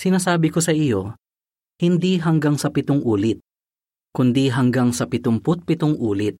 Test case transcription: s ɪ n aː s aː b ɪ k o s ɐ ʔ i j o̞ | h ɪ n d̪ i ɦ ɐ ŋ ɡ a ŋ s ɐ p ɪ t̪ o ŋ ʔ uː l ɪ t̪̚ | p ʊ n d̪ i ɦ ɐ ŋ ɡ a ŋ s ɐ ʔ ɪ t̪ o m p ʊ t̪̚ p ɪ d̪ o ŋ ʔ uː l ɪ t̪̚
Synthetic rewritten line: s ɪ n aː s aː b ɪ k o s ɐ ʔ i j o̞ | h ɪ n d̪ i ɦ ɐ ŋ ɡ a ŋ s ɐ p ɪ t̪ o ŋ ʔ uː l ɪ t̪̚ | k ʊ n d̪ i ɦ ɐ ŋ ɡ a ŋ s ɐ p ɪ t̪ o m p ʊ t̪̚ p ɪ t̪ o ŋ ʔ uː l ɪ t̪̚